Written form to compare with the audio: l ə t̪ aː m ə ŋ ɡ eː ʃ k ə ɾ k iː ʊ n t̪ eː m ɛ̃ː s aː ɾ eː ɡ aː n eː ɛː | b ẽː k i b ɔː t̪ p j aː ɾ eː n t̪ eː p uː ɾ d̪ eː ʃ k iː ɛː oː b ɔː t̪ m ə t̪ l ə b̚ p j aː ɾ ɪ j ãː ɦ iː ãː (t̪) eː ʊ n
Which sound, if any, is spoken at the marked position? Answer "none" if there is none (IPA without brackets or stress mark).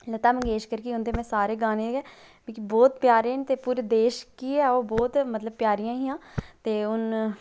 t̪